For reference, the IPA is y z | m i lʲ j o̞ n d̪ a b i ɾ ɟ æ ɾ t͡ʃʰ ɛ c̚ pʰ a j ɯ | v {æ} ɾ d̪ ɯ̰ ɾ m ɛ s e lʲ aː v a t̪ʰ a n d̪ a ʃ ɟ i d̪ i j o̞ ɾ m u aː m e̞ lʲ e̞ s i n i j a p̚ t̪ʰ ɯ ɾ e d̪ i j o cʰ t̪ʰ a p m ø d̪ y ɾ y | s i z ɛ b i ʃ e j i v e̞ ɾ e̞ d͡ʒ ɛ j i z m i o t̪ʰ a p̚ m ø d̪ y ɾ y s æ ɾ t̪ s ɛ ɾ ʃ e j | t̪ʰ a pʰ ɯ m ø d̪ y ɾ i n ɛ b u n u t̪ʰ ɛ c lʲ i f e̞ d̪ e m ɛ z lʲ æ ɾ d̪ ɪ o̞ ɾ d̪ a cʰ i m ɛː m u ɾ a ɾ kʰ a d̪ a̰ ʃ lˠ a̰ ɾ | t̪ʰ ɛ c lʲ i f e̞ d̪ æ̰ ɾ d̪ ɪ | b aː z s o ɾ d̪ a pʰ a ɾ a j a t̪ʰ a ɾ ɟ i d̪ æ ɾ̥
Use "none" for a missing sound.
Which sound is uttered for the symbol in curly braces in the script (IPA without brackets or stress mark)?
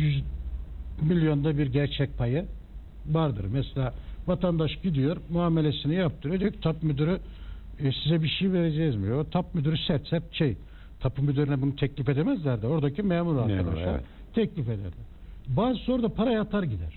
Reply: a